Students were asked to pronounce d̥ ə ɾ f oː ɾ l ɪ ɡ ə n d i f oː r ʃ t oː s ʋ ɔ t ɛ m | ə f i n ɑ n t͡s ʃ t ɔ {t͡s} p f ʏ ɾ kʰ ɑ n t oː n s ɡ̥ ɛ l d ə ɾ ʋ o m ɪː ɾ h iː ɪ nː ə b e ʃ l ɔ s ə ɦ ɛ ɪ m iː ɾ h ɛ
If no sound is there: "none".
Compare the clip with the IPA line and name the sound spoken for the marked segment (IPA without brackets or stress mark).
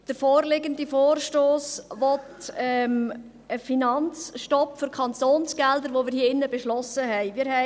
none